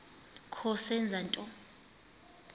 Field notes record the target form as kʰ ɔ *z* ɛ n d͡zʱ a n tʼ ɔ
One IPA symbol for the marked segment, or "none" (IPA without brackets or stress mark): s